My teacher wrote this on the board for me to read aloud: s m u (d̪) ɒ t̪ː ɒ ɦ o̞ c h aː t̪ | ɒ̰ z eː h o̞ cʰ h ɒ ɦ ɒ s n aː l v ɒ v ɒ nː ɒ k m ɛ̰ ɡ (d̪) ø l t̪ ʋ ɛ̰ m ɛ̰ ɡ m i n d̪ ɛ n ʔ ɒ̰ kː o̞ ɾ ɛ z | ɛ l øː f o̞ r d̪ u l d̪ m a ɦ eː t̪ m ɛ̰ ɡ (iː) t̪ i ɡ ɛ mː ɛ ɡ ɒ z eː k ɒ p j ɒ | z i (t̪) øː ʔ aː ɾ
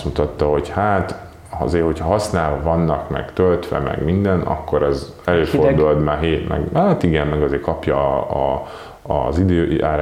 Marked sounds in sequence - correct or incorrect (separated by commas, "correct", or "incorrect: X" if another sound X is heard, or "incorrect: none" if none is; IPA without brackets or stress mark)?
incorrect: t̪, incorrect: t̪, incorrect: aː, incorrect: d̪